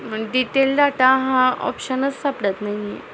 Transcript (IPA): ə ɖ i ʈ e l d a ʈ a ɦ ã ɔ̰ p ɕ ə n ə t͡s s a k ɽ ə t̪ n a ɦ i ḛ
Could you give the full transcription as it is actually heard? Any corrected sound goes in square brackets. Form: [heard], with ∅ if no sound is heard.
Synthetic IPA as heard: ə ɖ i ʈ e l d a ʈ a ɦ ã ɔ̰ p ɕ ə n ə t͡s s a [p] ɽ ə t̪ n a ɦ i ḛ